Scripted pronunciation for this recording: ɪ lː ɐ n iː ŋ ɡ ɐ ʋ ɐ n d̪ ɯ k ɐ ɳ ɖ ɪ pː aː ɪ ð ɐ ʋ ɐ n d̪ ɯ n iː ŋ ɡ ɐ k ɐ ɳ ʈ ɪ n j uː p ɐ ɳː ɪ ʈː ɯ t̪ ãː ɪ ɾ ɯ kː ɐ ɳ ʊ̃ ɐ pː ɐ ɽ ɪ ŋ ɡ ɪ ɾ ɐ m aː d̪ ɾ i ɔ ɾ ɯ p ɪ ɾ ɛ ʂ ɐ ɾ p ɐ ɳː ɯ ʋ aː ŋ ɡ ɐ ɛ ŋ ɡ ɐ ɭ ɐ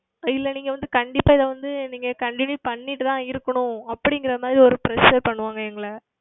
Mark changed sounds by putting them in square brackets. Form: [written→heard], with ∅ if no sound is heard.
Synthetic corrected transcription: ɪ lː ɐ n iː ŋ ɡ ɐ ʋ ɐ n d̪ ɯ k ɐ ɳ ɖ ɪ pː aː ɪ ð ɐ ʋ ɐ n d̪ ɯ n iː ŋ ɡ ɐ k ɐ ɳ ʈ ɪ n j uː p ɐ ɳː ɪ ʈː ɯ t̪ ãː ɪ ɾ ɯ kː ɐ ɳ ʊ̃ ɐ pː ɐ ɽ ɪ ŋ ɡ ɪ ɾ ɐ m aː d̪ ɾ i ɔ ɾ ɯ p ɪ ɾ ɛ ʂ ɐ ɾ p ɐ ɳː ɯ ʋ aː ŋ ɡ ɐ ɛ ŋ ɡ ɐ ɭ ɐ